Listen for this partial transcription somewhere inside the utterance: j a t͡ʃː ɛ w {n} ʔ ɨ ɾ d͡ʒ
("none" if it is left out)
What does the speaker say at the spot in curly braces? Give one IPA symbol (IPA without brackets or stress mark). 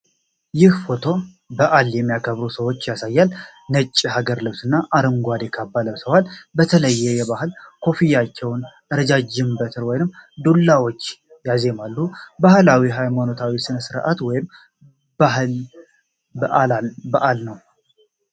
n